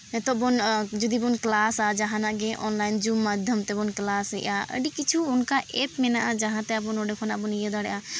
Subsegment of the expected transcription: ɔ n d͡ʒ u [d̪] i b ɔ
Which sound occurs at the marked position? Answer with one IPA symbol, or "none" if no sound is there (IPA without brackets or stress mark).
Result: d̪